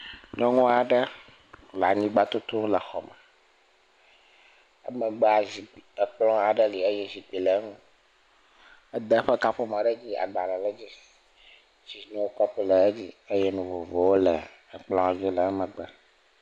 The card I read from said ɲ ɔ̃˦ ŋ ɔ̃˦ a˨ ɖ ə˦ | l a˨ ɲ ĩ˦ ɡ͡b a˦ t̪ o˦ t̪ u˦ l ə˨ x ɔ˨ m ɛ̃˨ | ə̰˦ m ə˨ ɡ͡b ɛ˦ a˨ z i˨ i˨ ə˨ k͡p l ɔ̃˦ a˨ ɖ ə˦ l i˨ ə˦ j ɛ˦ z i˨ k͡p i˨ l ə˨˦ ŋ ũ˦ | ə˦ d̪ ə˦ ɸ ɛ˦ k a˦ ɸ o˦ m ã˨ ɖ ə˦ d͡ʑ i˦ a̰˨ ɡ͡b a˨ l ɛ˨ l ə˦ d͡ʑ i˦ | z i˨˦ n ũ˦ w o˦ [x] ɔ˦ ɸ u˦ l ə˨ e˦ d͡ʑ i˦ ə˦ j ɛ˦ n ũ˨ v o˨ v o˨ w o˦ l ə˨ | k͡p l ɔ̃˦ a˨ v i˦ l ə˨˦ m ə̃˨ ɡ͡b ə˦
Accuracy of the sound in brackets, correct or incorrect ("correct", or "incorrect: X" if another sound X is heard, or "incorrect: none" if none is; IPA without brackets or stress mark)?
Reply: incorrect: k